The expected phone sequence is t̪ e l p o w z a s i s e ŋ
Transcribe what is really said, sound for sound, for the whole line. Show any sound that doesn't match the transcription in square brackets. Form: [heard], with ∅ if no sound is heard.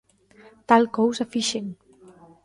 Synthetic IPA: t̪ [a] l [k] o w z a [f] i [ʃ] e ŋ